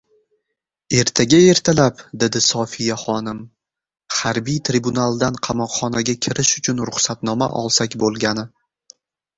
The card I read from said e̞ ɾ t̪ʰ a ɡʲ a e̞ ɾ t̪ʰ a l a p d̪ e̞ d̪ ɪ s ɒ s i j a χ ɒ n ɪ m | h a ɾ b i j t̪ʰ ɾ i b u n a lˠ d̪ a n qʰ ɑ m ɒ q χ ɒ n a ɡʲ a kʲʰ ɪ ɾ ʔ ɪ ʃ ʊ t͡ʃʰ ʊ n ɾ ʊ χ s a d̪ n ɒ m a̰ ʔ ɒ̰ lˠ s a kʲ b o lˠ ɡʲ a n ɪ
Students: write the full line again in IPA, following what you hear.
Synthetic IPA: e̞ ɾ t̪ʰ a ɡʲ a e̞ ɾ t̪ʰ a l a p d̪ e̞ d̪ ɪ s ɒ f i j a χ ɒ n ɪ m | h a ɾ b i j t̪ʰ ɾ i b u n a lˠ d̪ a n qʰ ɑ m ɒ q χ ɒ n a ɡʲ a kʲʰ ɪ ɾ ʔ ɪ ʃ ʊ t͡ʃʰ ʊ n ɾ ʊ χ s a t̪ n ɒ m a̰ ʔ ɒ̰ lˠ s a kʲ b o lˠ ɡʲ a n ɪ